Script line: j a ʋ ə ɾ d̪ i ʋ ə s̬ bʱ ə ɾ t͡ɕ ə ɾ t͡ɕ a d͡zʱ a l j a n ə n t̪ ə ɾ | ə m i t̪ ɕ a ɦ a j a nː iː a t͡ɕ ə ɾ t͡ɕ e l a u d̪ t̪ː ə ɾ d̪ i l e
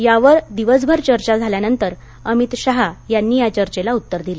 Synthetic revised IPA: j a ʋ ə ɾ d̪ i ʋ ə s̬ bʱ ə ɾ t͡ɕ ə ɾ t͡ɕ a d͡zʱ a l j a n ə n t̪ ə ɾ | ə m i t̪ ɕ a ɦ a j a nː iː a t͡ɕ ə ɾ t͡ɕ e l a u t̪ː ə ɾ d̪ i l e